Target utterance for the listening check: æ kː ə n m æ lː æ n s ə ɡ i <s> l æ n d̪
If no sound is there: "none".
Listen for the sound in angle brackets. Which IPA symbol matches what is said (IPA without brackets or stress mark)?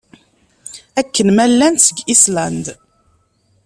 s